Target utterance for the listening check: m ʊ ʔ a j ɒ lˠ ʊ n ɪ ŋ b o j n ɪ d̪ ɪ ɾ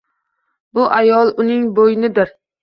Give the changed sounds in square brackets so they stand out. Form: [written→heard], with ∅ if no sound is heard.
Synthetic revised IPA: [m→b] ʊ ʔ a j ɒ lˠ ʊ n ɪ ŋ b o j n ɪ d̪ ɪ ɾ